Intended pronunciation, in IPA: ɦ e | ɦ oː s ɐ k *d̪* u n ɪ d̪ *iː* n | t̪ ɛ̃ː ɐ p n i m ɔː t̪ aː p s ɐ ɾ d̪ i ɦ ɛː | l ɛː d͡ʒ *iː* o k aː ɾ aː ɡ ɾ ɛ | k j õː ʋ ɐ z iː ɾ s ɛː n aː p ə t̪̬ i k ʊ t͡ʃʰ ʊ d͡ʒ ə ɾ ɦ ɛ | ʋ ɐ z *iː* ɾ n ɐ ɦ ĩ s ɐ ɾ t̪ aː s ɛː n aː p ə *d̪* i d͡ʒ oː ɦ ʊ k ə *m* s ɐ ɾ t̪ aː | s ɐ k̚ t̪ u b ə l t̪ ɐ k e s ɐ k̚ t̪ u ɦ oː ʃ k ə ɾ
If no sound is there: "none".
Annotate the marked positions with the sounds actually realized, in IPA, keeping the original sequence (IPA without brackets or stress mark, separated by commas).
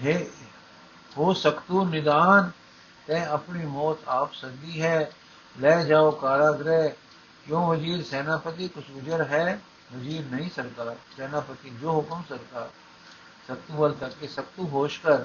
t̪, aː, aː, iː, t̪, m